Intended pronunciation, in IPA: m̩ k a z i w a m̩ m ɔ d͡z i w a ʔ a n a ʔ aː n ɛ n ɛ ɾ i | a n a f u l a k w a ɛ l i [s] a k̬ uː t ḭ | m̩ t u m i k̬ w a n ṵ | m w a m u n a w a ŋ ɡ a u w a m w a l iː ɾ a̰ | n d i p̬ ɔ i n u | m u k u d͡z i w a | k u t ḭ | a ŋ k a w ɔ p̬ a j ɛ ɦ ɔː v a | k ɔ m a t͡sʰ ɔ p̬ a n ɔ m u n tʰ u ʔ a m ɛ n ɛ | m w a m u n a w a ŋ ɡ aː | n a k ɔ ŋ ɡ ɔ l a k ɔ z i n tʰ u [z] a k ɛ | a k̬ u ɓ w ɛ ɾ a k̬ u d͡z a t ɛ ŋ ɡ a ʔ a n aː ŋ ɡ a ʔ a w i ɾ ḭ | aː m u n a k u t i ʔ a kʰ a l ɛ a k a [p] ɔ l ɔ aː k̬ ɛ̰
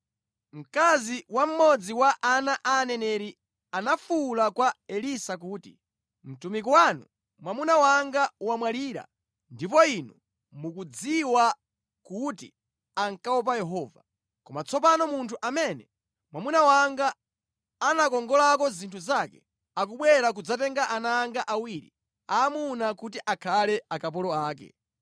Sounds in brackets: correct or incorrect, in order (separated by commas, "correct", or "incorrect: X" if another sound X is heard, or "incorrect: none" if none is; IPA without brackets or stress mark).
correct, correct, correct